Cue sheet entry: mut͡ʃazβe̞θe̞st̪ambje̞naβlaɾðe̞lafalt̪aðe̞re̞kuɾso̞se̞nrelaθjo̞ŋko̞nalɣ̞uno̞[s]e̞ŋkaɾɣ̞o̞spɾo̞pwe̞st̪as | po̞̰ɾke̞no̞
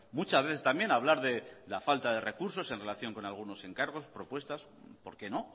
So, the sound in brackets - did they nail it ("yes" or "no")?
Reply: yes